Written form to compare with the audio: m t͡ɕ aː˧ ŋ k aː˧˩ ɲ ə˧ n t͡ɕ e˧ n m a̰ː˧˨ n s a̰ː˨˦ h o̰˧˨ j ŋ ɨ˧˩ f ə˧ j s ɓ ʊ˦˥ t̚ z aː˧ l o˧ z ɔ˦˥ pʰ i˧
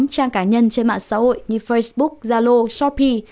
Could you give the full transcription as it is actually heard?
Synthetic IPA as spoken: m t͡ɕ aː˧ ŋ k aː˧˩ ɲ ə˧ n t͡ɕ e˧ n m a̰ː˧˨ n s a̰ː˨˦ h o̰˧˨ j ɲ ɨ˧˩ f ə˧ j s ɓ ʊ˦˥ k̚ z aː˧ l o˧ s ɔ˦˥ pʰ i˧